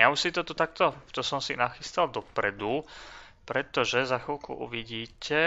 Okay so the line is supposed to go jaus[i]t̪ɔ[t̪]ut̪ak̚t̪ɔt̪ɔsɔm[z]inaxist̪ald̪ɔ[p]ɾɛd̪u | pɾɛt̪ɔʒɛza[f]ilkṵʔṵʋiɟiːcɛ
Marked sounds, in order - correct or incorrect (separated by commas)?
correct, correct, incorrect, correct, incorrect